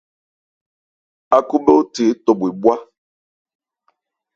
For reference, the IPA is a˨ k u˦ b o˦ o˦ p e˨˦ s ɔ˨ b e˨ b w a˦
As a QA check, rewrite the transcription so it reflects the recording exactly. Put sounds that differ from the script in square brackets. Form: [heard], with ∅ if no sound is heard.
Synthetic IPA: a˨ k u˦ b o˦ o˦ [t] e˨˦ [t] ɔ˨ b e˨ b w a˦